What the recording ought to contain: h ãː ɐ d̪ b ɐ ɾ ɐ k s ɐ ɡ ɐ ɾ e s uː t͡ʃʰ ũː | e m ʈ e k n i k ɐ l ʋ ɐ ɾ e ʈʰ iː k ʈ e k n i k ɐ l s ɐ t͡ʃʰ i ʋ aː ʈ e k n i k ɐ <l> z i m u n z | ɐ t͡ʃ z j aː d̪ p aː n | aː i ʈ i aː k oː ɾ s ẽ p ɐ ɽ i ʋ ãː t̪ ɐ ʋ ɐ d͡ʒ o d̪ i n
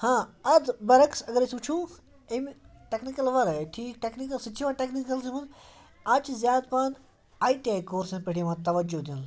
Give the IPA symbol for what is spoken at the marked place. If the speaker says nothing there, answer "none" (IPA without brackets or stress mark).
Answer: l